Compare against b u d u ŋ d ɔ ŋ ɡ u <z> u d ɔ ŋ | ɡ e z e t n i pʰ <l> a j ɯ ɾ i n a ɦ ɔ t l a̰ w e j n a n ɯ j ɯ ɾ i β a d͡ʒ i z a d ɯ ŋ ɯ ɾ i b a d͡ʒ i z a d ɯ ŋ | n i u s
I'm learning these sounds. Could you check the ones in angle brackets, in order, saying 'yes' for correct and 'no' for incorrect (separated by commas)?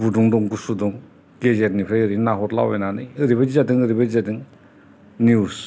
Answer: no, no